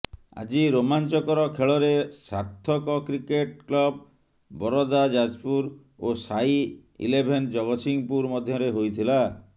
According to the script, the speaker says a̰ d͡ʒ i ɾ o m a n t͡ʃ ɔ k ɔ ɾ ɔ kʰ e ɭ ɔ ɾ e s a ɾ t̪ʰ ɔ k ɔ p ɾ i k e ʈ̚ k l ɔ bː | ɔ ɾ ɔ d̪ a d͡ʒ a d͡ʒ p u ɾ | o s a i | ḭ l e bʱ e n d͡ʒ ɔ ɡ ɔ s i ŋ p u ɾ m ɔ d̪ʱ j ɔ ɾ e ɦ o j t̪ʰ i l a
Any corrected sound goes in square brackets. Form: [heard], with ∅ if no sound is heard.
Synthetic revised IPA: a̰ d͡ʒ i ɾ o m a n t͡ʃ ɔ k ɔ ɾ ɔ kʰ e ɭ ɔ ɾ e s a ɾ t̪ʰ ɔ k ɔ [k] ɾ i k e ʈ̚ k l ɔ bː | ɔ ɾ ɔ d̪ a d͡ʒ a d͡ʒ p u ɾ | o s a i | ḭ l e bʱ e n d͡ʒ ɔ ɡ ɔ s i ŋ p u ɾ m ɔ d̪ʱ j ɔ ɾ e ɦ o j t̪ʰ i l a